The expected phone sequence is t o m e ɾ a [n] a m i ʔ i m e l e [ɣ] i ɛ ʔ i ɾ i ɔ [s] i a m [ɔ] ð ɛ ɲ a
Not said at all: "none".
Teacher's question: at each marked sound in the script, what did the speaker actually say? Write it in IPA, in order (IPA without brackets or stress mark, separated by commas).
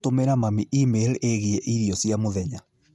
m, ɣ, s, o